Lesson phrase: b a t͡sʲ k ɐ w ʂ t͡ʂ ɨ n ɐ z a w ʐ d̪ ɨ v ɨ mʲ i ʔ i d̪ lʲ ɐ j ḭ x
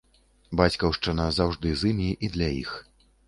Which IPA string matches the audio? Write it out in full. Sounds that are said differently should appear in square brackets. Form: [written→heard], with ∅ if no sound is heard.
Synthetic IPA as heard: b a t͡sʲ k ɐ w ʂ t͡ʂ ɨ n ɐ z a w ʐ d̪ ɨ [v→z] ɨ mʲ i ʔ i d̪ lʲ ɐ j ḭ x